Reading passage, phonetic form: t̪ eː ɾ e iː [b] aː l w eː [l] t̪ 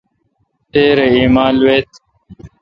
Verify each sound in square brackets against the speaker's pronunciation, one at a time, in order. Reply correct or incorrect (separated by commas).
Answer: incorrect, incorrect